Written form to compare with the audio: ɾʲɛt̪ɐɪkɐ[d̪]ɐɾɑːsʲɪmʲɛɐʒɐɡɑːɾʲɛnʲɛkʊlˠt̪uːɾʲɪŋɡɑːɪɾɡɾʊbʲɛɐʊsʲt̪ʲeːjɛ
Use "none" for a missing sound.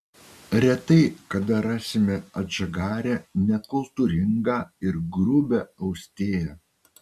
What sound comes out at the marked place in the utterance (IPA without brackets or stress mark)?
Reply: d̪